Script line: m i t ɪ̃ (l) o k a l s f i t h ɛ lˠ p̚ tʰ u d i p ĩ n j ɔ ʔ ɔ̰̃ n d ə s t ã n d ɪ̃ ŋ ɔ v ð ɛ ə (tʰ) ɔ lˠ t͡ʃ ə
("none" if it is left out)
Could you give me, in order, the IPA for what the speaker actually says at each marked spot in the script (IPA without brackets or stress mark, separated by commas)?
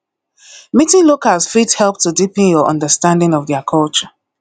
l, kʰ